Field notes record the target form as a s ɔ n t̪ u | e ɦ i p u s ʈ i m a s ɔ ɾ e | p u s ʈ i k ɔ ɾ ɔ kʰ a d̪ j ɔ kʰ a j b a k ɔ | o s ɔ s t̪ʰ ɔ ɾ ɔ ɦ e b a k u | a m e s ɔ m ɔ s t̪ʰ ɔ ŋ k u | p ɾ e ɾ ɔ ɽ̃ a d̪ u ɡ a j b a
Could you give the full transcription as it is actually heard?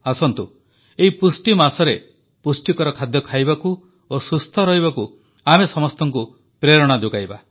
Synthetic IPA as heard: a s ɔ n t̪ u | e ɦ i p u s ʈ i m a s ɔ ɾ e | p u s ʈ i k ɔ ɾ ɔ kʰ a d̪ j ɔ kʰ a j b a k u | o s u s t̪ʰ ɔ ɾ ɔ ɦ i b a k u | a m e s ɔ m ɔ s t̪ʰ ɔ ŋ k u | p ɾ e ɾ ɔ ɽ̃ a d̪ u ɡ a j b a